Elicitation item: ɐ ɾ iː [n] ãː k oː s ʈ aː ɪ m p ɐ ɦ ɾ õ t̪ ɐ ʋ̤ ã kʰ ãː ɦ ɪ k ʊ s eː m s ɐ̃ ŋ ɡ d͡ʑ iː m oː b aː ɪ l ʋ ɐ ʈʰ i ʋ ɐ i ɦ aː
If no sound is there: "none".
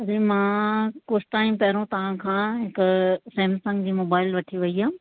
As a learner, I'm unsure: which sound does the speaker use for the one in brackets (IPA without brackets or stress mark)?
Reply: m